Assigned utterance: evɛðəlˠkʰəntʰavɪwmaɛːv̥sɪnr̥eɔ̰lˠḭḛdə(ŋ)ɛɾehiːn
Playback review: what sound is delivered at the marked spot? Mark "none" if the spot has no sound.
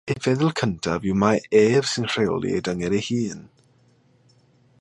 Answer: ŋ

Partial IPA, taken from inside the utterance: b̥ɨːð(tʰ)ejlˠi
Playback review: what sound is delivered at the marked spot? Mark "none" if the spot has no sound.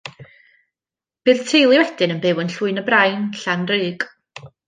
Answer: tʰ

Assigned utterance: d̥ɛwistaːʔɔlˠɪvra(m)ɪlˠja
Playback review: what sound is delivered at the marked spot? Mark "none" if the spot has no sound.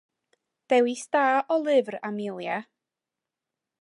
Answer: m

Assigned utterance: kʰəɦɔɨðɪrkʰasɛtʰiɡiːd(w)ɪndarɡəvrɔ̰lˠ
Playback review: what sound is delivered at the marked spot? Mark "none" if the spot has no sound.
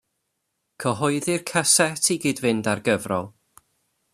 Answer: v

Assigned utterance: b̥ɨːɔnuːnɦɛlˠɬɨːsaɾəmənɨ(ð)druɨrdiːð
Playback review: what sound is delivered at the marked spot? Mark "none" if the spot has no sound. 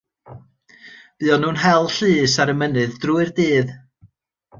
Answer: ð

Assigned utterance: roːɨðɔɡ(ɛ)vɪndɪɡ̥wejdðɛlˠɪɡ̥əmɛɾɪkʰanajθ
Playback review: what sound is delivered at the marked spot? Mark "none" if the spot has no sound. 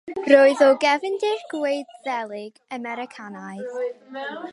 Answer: ɛ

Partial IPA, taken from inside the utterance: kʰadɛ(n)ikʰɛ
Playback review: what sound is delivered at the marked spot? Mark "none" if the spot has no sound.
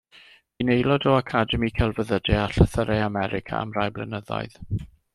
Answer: m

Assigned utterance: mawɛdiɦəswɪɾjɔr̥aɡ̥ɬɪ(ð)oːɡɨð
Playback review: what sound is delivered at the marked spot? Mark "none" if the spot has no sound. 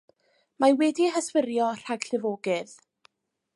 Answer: v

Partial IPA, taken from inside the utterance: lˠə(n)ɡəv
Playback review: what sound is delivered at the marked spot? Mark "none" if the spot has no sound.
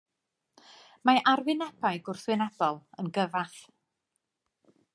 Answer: n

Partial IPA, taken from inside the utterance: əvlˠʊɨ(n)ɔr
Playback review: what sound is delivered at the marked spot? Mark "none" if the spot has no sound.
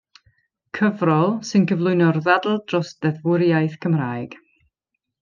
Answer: n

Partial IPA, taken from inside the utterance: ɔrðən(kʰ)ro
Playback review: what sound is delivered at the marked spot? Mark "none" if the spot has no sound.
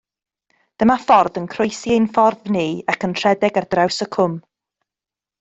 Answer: kʰ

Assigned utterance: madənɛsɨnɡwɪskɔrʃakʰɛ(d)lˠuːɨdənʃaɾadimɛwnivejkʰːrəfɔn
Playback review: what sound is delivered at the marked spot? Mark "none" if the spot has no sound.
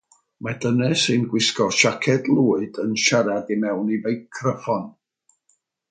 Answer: d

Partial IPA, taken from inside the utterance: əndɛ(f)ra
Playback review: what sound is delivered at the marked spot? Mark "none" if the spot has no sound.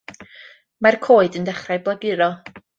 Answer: χ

